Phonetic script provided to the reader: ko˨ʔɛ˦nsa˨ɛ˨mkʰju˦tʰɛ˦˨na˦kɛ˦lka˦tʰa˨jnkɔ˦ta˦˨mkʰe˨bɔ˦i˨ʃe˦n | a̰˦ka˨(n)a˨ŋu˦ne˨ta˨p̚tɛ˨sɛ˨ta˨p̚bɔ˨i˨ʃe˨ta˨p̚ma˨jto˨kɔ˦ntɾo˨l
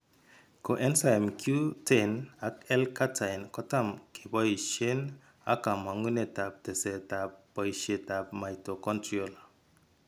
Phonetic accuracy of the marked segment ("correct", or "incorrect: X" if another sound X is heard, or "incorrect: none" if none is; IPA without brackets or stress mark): incorrect: m